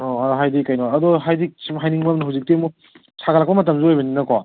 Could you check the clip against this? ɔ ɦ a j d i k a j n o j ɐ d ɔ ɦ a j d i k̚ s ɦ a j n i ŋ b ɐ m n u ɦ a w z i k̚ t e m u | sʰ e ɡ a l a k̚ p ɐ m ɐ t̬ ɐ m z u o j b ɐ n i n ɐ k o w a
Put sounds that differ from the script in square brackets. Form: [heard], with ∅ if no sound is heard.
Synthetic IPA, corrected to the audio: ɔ ɦ a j d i k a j n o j ɐ d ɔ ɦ a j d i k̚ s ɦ a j n i ŋ b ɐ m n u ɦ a w z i k̚ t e m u | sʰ [a] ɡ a l a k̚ p ɐ m ɐ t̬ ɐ m z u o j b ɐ n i n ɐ k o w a